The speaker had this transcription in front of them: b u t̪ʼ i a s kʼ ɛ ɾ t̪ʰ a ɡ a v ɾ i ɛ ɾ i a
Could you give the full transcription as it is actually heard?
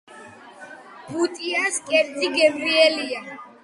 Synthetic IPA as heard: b u t̪ʼ i a s kʼ ɛ ɾ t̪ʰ i ɡ ɛ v ɾ i ɛ l i a